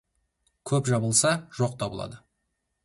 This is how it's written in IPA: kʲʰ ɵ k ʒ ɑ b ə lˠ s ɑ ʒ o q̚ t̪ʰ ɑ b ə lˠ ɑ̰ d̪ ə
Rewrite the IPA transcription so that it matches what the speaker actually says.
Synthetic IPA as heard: kʲʰ ɵ p ʒ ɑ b ə lˠ s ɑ ʒ o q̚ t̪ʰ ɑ b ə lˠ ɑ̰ d̪ ə

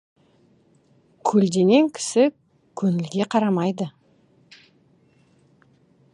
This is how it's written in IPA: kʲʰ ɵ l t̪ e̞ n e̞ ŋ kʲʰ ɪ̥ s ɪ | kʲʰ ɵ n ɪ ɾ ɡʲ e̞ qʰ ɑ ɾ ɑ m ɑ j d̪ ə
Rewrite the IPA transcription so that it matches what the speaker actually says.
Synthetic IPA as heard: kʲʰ ɵ l d̪ e̞ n e̞ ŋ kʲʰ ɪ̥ s ɪ | kʲʰ ɵ n ɪ l ɡʲ e̞ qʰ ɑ ɾ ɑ m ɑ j d̪ ə

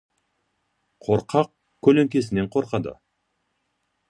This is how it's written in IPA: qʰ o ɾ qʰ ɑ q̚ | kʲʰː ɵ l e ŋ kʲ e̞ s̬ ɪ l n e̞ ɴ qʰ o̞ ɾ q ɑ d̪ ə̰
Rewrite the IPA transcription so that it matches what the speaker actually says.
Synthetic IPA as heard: qʰ o ɾ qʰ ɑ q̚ | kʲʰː ɵ l e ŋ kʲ e̞ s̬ ɪ n e̞ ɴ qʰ o̞ ɾ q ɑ d̪ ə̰

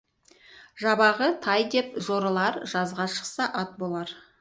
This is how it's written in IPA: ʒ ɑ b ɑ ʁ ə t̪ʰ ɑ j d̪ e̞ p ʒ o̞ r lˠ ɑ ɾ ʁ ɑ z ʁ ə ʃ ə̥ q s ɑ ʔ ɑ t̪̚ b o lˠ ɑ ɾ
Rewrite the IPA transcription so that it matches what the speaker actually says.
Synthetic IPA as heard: ʒ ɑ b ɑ ʁ ə t̪ʰ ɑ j d̪ e̞ p ʒ o̞ ɾ lˠ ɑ ɾ ʒ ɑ z ʁ ɑ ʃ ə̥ q s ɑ ʔ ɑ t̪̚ b o lˠ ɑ ɾ

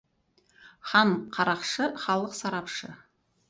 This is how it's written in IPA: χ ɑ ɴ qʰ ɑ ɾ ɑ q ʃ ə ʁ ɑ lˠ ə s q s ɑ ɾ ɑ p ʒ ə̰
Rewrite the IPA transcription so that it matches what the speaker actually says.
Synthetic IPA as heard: χ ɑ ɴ qʰ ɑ ɾ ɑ q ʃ ə χ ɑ lˠ ə q s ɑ ɾ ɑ p ʃ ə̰

